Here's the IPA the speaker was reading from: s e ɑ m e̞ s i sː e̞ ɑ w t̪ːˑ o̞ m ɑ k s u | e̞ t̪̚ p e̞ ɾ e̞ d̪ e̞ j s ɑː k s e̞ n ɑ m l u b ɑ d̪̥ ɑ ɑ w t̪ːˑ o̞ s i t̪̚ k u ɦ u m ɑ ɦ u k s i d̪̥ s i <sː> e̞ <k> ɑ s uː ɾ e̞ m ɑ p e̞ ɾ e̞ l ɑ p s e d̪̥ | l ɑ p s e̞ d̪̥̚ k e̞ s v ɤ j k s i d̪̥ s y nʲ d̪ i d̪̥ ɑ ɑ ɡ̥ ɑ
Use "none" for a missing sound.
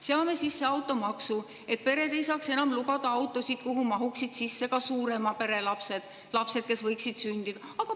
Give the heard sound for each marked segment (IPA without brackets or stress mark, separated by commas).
sː, k